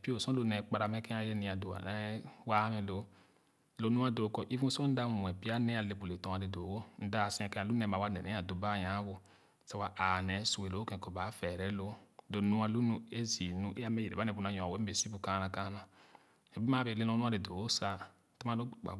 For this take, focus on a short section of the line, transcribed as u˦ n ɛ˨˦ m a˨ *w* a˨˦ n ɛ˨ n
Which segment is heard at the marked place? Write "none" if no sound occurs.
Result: w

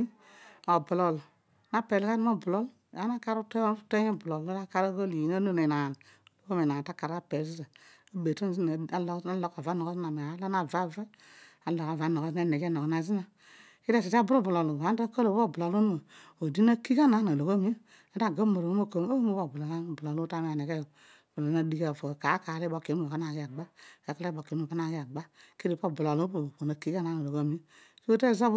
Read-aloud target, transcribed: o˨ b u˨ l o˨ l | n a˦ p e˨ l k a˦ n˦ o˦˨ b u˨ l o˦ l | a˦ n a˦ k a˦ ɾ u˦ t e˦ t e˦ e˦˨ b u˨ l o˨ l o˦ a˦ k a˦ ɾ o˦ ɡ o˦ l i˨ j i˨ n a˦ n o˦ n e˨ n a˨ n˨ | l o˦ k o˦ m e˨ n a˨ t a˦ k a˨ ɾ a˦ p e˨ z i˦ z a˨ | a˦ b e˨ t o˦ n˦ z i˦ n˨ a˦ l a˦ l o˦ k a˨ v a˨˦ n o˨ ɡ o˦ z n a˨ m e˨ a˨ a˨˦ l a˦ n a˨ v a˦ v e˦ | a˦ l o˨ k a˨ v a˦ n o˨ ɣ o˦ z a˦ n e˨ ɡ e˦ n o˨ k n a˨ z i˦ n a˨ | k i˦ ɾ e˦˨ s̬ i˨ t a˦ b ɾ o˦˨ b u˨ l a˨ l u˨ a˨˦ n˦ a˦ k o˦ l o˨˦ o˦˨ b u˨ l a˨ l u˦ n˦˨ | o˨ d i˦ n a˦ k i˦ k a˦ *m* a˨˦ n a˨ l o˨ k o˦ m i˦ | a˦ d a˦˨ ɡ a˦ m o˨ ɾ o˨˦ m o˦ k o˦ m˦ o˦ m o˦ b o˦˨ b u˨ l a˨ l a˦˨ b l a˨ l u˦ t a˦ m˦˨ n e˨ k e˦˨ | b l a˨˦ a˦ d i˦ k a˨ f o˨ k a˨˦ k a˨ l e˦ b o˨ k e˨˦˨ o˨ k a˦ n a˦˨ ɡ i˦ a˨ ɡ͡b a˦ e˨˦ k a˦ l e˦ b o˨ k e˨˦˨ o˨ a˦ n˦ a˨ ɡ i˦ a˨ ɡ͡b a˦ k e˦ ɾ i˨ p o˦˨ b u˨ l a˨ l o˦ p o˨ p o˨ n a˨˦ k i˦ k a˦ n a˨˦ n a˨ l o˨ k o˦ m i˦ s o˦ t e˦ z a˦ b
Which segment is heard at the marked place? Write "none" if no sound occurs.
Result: n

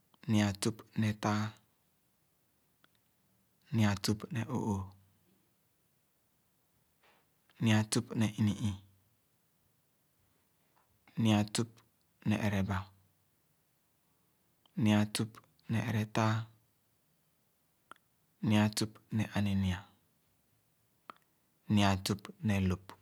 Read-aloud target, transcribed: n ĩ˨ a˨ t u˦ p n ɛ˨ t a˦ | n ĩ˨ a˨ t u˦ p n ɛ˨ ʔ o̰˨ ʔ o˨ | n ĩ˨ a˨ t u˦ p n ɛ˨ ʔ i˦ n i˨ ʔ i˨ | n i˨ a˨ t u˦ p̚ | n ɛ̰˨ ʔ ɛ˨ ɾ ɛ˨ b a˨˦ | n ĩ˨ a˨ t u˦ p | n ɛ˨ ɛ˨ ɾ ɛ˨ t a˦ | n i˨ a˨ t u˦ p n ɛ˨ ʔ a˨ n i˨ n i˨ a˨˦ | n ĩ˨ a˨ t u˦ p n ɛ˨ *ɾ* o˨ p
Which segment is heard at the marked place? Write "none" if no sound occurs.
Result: l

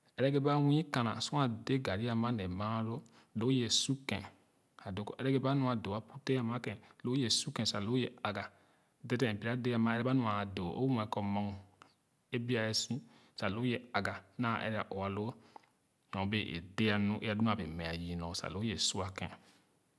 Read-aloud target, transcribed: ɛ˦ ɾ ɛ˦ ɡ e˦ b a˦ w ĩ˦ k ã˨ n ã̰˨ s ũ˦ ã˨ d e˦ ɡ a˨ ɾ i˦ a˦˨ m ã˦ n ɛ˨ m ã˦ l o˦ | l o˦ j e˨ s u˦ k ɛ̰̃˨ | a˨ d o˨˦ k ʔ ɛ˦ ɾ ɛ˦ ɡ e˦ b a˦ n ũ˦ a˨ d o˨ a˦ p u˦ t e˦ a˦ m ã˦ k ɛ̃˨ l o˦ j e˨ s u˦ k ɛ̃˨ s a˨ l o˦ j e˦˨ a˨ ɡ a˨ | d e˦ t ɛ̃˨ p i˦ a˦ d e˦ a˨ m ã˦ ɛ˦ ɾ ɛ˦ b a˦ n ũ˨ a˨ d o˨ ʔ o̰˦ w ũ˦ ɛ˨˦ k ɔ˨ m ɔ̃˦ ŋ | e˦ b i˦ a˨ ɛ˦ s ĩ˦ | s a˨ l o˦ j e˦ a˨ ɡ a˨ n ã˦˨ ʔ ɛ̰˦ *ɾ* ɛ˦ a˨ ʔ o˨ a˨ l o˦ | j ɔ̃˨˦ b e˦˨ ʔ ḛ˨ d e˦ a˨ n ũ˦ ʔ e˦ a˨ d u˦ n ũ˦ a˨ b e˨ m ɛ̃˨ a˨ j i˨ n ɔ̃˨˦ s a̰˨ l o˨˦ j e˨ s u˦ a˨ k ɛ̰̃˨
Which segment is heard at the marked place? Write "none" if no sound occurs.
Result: ɾ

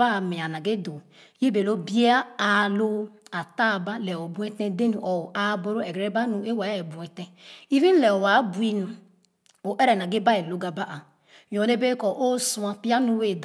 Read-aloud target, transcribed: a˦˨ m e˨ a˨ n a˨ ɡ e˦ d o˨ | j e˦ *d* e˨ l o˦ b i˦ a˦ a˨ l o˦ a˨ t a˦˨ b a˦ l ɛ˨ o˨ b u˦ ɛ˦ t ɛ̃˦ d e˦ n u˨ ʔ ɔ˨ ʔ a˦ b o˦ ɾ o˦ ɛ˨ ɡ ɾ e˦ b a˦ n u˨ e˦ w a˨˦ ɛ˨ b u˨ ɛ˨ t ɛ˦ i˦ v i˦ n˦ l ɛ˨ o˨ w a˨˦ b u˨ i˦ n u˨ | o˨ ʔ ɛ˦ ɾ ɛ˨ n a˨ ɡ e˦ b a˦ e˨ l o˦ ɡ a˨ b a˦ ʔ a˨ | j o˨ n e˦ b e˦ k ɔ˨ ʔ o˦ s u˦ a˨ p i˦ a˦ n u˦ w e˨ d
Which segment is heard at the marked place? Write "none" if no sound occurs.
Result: b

